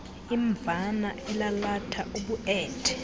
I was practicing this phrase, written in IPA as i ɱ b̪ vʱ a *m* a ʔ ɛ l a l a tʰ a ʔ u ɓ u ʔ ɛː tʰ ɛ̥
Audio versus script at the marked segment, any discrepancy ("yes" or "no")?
yes